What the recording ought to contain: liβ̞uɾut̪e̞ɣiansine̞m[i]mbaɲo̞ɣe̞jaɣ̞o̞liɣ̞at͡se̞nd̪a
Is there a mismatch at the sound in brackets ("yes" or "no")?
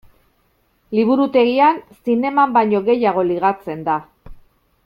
yes